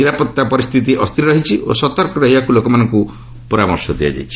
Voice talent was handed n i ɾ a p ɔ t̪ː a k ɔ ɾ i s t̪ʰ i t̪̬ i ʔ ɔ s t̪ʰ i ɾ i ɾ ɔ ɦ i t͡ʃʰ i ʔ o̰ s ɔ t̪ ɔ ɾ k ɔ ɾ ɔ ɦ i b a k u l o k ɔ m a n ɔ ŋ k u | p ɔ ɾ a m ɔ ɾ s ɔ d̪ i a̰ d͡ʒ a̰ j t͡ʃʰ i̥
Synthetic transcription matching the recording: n i ɾ a p ɔ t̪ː a p ɔ ɾ i s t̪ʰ i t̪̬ i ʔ ɔ s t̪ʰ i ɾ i ɾ ɔ ɦ i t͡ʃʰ i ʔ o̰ s ɔ t̪ ɔ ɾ k ɔ ɾ ɔ ɦ i b a k u l o k ɔ m a n ɔ ŋ k u | p ɔ ɾ a m ɔ ɾ s ɔ d̪ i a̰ d͡ʒ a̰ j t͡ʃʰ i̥

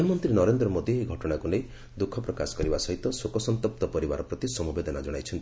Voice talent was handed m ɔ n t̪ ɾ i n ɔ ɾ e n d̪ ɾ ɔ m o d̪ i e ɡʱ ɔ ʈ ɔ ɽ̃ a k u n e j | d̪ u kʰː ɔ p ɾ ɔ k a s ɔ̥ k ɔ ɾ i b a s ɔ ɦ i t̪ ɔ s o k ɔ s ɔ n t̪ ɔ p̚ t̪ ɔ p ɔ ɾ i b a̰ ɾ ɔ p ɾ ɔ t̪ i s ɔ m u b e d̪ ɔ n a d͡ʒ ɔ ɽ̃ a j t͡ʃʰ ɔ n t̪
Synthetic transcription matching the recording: m ɔ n t̪ ɾ i n ɔ ɾ e n d̪ ɾ ɔ m o d̪ i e ɡʱ ɔ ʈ ɔ ɽ̃ a k u n e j | d̪ u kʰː ɔ p ɾ ɔ k a s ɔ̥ k ɔ ɾ i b a s ɔ ɦ i t̪ ɔ s o k ɔ s ɔ n t̪ ɔ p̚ t̪ ɔ p ɔ ɾ i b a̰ ɾ ɔ p ɾ ɔ t̪ i s ɔ m u b e d̪ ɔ n a d͡ʒ ɔ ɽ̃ a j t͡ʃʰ ɔ n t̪

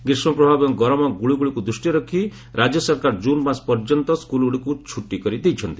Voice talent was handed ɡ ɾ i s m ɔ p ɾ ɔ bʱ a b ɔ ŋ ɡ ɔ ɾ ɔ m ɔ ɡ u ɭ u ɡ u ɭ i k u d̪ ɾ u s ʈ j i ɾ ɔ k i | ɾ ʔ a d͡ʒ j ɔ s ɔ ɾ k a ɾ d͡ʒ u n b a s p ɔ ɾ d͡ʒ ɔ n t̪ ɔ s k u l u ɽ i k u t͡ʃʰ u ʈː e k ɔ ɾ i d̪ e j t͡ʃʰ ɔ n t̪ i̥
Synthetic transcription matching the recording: ɡ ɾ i s m ɔ p ɾ ɔ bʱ a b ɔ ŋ ɡ ɔ ɾ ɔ m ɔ ɡ u ɭ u ɡ u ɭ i k u d̪ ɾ u s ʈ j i ɾ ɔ kʰ i | ɾ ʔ a d͡ʒ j ɔ s ɔ ɾ k a ɾ d͡ʒ u n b a s p ɔ ɾ d͡ʒ ɔ n t̪ ɔ s k u l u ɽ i k u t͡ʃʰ u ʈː i k ɔ ɾ i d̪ e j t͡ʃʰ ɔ n t̪ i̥

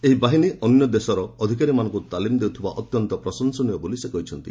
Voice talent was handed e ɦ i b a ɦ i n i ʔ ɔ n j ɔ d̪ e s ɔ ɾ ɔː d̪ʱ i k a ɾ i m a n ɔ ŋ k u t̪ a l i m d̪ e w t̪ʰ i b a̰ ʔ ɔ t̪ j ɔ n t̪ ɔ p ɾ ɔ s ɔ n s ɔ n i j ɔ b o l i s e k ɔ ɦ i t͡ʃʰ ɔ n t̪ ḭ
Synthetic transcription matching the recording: e ɦ i b a ɦ i n i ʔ ɔ n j ɔ d̪ e s ɔ ɾ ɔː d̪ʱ i k a ɾ i m a n ɔ ŋ k u t̪ a l i m d̪ e w t̪ʰ i b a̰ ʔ ɔ t̪ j ɔ n t̪ ɔ p ɾ ɔ s ɔ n s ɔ n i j ɔ b o l i s e k ɔ ɦ i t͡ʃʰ ɔ n t̪ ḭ

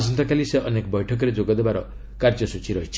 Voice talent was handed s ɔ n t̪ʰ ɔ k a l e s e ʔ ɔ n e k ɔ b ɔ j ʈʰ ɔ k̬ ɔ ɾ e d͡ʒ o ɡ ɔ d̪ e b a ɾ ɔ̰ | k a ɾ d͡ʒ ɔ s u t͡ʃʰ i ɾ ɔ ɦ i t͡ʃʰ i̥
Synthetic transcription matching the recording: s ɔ n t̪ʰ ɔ k a l i s e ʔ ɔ n e k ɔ b ɔ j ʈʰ ɔ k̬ ɔ ɾ e d͡ʒ o ɡ ɔ d̪ e b a ɾ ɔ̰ | k a ɾ d͡ʒ ɔ s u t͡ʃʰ i ɾ ɔ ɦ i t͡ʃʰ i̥

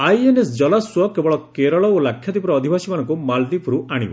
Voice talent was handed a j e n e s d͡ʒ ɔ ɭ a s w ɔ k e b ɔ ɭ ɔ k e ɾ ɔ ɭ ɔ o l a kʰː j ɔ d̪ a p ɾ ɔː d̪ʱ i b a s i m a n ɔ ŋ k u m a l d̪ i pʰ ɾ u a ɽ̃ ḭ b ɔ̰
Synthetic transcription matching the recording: a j e n e s d͡ʒ ɔ l a s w ɔ k e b ɔ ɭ ɔ k e ɾ ɔ ɭ ɔ o l a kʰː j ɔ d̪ i p ɾ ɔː d̪ʱ i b a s i m a n ɔ ŋ k u m a l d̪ i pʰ ɾ u a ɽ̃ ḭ b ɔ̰

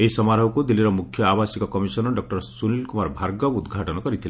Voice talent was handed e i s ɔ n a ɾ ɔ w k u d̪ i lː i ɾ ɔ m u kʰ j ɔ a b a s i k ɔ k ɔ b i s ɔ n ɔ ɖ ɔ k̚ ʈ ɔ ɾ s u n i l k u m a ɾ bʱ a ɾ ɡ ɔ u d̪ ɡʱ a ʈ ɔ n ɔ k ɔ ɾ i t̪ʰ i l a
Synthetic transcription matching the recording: e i s ɔ m a ɾ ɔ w k u d̪ i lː i ɾ ɔ m u kʰ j ɔ a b a s i k ɔ k ɔ m i s ɔ n ɔ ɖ ɔ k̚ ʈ ɔ ɾ s u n i l k u m a ɾ bʱ a ɾ ɡ ɔ u d̪ ɡʱ a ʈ ɔ n ɔ k ɔ ɾ i t̪ʰ i l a

